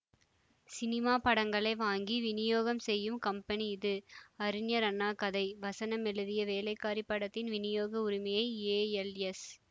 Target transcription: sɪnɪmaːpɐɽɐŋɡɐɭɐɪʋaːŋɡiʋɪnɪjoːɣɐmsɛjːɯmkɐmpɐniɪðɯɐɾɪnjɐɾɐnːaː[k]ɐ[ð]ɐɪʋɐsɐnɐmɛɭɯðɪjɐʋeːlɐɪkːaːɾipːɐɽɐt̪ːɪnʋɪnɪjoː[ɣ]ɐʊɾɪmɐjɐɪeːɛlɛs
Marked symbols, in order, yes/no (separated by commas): yes, yes, yes